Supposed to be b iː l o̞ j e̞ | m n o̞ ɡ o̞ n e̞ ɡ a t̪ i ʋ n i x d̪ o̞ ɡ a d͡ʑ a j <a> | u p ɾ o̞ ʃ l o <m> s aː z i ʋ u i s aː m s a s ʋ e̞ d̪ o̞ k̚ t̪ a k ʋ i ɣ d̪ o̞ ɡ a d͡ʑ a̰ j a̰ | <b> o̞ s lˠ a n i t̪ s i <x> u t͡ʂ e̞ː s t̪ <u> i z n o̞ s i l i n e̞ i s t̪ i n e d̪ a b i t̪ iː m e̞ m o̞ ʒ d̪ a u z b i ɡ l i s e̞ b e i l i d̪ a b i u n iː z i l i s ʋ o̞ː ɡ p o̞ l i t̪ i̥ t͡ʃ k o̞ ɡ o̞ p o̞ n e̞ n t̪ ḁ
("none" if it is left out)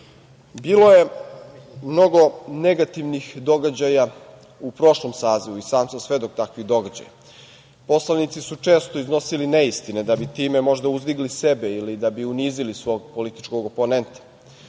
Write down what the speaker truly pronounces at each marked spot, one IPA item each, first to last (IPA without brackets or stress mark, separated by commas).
a, m, p, s, o